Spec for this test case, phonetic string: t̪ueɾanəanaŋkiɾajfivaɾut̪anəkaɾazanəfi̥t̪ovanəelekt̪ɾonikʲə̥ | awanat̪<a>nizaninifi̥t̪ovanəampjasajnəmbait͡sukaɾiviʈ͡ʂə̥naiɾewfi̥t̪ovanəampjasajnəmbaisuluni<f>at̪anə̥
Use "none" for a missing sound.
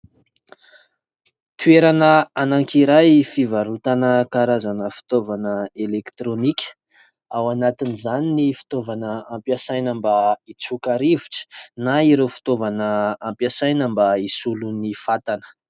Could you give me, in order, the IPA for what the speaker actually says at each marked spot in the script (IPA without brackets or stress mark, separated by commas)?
i, f